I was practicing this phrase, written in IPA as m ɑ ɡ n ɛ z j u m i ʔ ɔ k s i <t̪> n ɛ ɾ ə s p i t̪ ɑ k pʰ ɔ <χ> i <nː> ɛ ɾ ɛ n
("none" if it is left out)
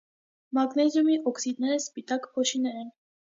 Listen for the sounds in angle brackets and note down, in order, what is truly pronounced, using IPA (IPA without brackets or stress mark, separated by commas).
d̪, ʃ, n